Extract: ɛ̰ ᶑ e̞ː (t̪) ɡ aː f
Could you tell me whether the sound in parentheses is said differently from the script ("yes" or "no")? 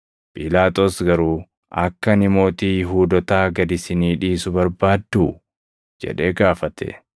yes